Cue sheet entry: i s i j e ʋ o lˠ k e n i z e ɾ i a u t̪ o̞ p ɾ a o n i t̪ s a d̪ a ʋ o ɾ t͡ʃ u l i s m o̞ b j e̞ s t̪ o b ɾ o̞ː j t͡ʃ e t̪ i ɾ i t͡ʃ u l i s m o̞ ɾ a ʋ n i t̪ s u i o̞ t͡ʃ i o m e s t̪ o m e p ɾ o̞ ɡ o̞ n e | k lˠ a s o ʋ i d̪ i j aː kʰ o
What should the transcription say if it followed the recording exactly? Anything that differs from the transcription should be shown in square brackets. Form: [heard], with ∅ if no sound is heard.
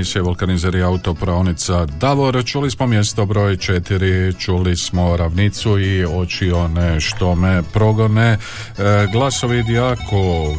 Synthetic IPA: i s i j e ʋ o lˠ k [a] n i z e ɾ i a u t̪ o̞ p ɾ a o n i t̪ s a d̪ a ʋ o ɾ t͡ʃ u l i s m o̞ [m] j e̞ s t̪ o b ɾ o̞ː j t͡ʃ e t̪ i ɾ i t͡ʃ u l i s m o̞ ɾ a ʋ n i t̪ s u i o̞ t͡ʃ i o [n] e [ʃ] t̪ o m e p ɾ o̞ ɡ o̞ n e | [ɡ] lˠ a s o ʋ i d̪ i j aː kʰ o